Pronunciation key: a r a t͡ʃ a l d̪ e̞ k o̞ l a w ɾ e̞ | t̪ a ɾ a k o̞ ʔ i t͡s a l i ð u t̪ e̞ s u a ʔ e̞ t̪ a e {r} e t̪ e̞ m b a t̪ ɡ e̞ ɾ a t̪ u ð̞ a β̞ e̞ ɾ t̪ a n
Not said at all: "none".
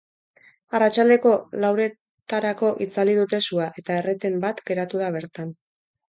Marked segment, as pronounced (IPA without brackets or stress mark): r